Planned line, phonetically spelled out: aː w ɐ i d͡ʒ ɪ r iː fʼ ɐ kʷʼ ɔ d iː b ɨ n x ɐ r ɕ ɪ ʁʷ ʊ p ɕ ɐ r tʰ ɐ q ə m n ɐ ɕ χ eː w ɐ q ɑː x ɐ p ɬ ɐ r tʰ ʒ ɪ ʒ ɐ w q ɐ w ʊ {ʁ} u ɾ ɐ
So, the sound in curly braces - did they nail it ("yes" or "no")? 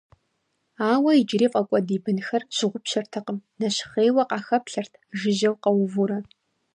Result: no